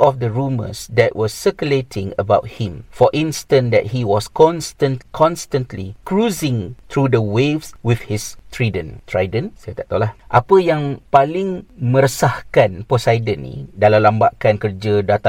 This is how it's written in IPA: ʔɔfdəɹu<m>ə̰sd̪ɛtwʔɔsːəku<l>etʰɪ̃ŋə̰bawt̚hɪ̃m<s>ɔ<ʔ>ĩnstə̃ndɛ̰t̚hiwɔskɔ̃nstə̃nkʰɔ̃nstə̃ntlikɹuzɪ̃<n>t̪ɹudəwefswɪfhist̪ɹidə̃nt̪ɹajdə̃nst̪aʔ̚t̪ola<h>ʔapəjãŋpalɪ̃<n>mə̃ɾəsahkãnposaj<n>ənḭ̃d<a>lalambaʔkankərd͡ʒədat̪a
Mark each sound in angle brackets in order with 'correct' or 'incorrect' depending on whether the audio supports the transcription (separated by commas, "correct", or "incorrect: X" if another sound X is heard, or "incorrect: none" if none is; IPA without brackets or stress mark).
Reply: correct, correct, incorrect: f, correct, incorrect: ŋ, correct, incorrect: ŋ, incorrect: d, correct